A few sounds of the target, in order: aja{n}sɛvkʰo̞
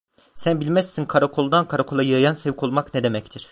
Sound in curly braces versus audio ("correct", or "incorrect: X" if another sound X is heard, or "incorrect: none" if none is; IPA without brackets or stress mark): correct